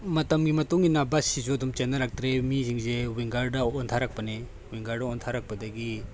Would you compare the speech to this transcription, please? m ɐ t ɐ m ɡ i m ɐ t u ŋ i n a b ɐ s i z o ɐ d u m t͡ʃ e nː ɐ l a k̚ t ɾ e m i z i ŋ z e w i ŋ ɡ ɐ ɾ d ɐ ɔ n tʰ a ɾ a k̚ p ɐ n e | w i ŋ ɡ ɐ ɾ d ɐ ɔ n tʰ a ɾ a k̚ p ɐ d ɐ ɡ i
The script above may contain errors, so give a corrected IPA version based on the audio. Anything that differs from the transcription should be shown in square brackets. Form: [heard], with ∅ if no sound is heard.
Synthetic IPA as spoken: m ɐ t ɐ m ɡ i m ɐ t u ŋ i n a b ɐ s i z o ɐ d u m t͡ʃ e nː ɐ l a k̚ t ɾ e m i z i ŋ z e w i ŋ ɡ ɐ ɾ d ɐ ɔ n tʰ a ɾ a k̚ p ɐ n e | w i ŋ ɡ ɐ ɾ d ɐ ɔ n tʰ a ɾ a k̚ p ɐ d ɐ ɡ i